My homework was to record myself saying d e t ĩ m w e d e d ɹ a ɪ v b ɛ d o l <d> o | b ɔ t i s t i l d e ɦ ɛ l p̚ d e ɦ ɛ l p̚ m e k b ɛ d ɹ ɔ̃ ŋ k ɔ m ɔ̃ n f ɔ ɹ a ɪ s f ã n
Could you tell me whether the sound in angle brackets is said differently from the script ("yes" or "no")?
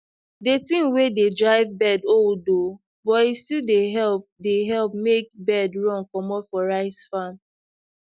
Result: no